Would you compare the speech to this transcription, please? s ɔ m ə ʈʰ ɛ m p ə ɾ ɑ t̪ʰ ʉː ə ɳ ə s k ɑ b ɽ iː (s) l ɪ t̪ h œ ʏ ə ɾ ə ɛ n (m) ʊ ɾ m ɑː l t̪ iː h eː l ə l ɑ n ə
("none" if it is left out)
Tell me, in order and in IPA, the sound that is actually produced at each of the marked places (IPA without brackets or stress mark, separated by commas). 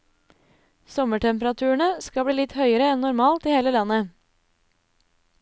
none, n